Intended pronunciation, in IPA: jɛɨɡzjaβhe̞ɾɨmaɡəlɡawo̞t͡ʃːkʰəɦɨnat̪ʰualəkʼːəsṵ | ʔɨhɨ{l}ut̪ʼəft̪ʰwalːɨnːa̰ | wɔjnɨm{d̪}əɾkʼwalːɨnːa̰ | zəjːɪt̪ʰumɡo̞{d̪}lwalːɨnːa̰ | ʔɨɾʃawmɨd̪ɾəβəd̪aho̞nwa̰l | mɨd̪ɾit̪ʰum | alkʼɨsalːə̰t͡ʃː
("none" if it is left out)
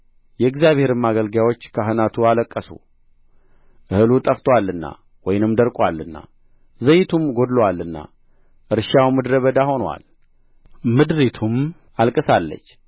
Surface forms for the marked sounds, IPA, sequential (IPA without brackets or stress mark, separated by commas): l, d̪, d̪